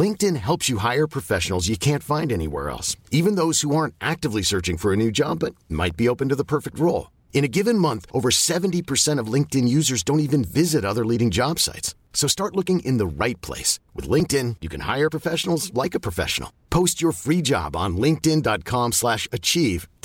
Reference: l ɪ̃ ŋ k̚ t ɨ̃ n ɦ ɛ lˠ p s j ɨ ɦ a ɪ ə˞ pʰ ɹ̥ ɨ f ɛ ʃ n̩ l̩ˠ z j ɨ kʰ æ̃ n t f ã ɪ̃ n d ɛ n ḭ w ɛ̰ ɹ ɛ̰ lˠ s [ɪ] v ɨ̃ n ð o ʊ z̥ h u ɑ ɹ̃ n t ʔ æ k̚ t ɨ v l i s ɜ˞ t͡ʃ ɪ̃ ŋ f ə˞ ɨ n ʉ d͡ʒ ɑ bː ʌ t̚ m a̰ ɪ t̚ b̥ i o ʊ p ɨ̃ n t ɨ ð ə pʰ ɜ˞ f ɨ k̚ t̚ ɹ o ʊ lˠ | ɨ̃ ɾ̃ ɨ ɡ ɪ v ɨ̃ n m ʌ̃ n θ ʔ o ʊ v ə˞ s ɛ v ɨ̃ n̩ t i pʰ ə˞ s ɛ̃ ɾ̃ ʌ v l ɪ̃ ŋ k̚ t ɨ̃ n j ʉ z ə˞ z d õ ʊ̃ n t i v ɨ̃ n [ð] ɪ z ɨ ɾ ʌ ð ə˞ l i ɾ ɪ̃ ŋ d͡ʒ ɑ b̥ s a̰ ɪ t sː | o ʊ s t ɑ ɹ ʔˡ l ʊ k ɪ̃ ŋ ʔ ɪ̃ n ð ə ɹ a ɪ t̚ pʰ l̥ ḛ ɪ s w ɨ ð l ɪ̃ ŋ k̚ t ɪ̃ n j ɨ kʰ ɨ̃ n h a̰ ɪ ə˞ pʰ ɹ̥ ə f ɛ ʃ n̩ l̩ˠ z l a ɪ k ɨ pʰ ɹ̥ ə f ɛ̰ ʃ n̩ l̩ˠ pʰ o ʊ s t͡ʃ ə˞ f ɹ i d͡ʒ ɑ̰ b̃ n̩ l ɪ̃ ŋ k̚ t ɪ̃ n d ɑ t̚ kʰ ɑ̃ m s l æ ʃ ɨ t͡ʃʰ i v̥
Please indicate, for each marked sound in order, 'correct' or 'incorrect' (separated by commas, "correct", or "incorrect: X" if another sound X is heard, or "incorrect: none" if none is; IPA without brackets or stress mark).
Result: incorrect: i, incorrect: v